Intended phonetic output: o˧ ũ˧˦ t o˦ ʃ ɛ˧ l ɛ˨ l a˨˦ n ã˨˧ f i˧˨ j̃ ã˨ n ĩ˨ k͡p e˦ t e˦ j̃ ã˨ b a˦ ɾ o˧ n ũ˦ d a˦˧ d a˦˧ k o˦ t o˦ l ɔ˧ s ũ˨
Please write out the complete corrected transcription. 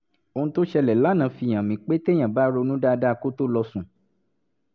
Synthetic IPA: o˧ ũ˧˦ t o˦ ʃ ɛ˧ l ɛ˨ l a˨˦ n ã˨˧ f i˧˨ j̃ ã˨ m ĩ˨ k͡p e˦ t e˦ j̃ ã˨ b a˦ ɾ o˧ n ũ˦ d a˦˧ d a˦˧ k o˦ t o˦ l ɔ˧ s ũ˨